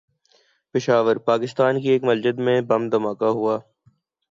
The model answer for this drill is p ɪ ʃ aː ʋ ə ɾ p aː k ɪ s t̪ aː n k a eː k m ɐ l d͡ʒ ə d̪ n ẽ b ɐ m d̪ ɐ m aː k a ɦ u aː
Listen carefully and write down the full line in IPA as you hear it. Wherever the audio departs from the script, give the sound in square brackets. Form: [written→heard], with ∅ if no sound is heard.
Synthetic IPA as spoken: p ɪ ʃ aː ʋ ə ɾ p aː k ɪ s t̪ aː n k [a→i] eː k m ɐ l d͡ʒ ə d̪ [n→m] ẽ b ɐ m d̪ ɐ m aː k a ɦ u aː

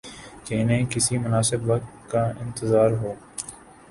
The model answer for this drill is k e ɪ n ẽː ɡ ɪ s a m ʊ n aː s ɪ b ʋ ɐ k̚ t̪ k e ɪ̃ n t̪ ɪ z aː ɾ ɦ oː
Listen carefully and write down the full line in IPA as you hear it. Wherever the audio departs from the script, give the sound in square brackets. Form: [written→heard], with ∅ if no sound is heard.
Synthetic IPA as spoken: k e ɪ n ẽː [ɡ→k] ɪ s [a→i] m ʊ n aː s ɪ b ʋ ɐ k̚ t̪ k [e→a] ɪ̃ n t̪ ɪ z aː ɾ ɦ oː

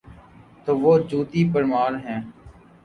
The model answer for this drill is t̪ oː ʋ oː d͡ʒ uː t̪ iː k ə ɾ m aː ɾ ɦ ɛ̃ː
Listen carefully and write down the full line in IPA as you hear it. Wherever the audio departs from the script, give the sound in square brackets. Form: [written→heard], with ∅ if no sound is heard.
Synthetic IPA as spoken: t̪ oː ʋ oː d͡ʒ uː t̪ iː [k→p] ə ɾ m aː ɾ ɦ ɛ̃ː

